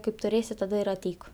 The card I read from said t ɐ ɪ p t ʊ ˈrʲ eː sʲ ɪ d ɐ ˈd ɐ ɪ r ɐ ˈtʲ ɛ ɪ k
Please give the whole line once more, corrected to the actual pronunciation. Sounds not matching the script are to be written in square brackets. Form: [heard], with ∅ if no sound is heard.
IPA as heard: [k] ɐ ɪ p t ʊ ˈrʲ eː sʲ ɪ [t] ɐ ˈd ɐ ɪ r ɐ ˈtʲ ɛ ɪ k

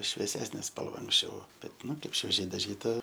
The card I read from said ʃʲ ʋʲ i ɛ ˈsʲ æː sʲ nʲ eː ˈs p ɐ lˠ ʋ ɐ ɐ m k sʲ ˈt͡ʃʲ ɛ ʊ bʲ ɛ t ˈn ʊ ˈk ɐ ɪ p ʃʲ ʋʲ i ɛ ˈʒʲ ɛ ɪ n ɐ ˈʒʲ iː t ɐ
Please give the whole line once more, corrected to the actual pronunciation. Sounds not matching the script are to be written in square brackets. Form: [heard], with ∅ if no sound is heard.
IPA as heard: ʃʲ ʋʲ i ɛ ˈsʲ æː sʲ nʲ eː ˈs p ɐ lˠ ʋ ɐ ɐ [ŋ] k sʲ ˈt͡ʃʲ ɛ ʊ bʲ ɛ t ˈn ʊ ˈk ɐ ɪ p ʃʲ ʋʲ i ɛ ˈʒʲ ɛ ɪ [d] ɐ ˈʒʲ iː t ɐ

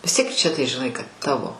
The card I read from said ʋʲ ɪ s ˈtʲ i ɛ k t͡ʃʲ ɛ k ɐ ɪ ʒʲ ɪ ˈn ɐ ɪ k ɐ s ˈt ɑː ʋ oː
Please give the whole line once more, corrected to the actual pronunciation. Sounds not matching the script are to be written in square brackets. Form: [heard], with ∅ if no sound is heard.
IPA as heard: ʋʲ ɪ s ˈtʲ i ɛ k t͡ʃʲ ɛ [t] ɐ ɪ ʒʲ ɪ ˈn ɐ ɪ k ɐ [t] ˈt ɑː ʋ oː

